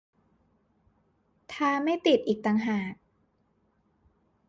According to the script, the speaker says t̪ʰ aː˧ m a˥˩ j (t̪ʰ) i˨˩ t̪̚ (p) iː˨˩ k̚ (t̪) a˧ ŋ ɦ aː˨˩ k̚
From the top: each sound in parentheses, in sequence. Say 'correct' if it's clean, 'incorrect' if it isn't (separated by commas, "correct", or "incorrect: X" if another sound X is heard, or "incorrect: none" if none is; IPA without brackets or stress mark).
incorrect: t̪, incorrect: ʔ, correct